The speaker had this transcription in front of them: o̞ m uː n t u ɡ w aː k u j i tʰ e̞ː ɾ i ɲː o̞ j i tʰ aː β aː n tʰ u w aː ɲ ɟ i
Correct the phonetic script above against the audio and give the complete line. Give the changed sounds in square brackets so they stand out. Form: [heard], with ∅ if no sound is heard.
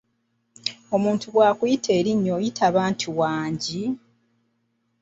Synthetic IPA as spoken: o̞ m uː n t u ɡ w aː k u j i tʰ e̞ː ɾ i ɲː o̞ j i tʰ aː β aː n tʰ u w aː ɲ ɟ i

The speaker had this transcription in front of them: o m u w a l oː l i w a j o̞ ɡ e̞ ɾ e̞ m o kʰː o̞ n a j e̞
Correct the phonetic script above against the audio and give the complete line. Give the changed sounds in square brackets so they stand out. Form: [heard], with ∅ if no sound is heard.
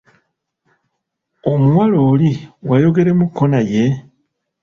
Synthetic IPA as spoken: o m u w a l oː l i w a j o̞ ɡ e̞ ɾ e̞ m [u] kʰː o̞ n a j e̞

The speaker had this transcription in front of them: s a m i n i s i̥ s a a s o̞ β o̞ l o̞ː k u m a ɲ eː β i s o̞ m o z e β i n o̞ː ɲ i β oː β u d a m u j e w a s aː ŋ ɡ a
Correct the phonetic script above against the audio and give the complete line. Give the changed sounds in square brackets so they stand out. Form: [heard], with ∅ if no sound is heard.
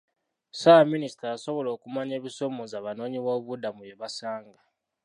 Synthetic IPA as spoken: s a m i n i s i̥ [t] a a s o̞ β o̞ l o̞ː k u m a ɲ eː β i s o̞ m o z [a] β [a] n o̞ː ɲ i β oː β u d a m u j e [β] a s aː ŋ ɡ a

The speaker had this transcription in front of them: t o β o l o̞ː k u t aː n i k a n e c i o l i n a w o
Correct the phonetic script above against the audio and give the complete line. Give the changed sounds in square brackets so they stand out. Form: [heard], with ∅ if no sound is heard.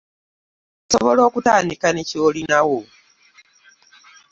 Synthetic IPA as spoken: [s] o β o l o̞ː k u t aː n i k a n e c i o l i n a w o

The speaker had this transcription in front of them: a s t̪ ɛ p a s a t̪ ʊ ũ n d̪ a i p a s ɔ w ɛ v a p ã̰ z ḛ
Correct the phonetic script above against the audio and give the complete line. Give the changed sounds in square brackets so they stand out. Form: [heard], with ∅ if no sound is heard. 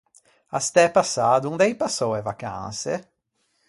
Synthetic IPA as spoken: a s t̪ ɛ p a s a [d̪] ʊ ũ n d̪ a i p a s [o] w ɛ v a [k] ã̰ [s] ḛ

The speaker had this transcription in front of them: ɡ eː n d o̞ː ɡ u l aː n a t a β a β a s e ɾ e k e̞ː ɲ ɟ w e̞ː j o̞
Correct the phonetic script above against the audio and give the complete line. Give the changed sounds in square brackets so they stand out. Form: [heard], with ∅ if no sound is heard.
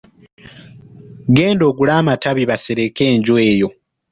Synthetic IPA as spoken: ɡ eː n d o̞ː ɡ u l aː [m] a t a β [i] β a s e ɾ e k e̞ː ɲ ɟ w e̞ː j o̞

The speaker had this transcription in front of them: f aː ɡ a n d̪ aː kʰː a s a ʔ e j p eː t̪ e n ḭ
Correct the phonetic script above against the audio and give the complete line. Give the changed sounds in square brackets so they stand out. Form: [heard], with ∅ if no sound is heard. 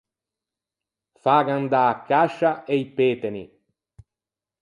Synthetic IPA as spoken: f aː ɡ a n d̪ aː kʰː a [ʃ] a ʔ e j p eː t̪ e n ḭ

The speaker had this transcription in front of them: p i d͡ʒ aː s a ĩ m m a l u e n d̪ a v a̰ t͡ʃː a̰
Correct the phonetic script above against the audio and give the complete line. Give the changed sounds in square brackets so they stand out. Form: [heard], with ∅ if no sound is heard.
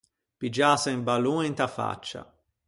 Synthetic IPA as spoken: p i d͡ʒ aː s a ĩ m [b] a l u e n [t̪] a [f] a̰ t͡ʃː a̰

